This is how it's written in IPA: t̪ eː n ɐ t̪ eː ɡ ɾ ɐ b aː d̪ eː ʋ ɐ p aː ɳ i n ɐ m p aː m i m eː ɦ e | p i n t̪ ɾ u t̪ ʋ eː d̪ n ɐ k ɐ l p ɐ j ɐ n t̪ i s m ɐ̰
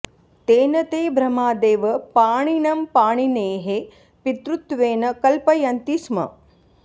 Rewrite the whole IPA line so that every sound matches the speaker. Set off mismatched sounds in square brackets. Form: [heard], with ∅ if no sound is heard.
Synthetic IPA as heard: t̪ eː n ɐ t̪ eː [b] ɾ ɐ [m] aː d̪ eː ʋ ɐ p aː ɳ i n ɐ m p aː [ɳ] i [n] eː ɦ e | p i [∅] t̪ ɾ u t̪ ʋ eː [∅] n ɐ k ɐ l p ɐ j ɐ n t̪ i s m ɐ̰